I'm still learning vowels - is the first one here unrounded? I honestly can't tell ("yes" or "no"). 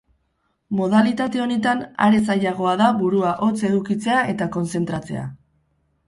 no